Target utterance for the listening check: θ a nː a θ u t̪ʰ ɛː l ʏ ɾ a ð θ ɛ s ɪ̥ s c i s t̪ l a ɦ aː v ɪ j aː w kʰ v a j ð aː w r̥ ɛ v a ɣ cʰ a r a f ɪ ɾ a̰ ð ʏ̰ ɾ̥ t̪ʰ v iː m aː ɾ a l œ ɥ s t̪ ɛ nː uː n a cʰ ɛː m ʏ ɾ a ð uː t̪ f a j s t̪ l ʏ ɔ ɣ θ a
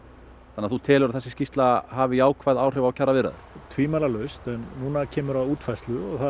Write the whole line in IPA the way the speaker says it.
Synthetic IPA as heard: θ a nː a θ u t̪ʰ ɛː l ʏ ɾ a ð θ ɛ s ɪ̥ s c i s t̪ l a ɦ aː v ɪ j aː w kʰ v a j ð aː w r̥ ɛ v a w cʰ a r a v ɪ ɾ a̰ ð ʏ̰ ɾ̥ t̪ʰ v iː m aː l a l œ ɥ s t̪ ɛ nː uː n a cʰ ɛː m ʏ ɾ a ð uː t̪ f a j s t̪ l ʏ ɔ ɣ θ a